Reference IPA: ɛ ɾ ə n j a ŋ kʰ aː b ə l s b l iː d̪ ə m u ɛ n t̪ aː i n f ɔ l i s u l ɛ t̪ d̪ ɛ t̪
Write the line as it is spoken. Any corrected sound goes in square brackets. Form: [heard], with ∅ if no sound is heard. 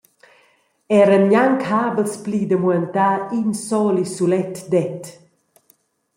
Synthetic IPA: ɛ ɾ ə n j a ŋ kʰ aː b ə l s [p] l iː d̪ ə m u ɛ n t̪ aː i n [s] ɔ l i s u l ɛ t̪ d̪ ɛ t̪